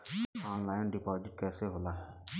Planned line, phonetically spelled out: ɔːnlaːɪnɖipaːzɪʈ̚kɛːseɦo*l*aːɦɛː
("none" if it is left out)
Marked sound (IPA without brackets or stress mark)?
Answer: l